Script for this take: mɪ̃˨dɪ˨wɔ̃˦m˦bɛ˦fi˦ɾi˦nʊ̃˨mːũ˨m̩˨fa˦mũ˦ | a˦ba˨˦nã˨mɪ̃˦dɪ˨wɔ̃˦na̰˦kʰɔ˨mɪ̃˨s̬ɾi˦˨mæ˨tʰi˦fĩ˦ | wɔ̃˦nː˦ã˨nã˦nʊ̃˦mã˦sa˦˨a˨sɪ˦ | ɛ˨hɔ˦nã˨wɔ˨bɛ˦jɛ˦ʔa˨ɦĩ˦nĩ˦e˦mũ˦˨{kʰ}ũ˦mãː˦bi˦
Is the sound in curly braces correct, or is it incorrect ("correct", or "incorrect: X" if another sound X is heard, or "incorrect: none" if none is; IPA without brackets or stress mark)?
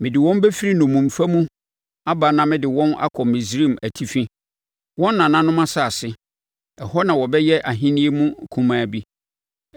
correct